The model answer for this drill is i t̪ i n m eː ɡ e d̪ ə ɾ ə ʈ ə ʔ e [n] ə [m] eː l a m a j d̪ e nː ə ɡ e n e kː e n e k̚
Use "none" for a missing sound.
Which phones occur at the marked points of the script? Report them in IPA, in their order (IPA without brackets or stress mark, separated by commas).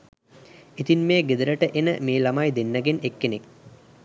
n, m